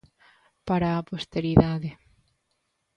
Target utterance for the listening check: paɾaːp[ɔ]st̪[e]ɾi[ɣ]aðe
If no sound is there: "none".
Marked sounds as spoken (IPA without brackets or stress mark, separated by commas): o, e, ð